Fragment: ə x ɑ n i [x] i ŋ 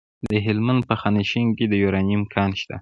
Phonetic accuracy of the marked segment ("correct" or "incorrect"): incorrect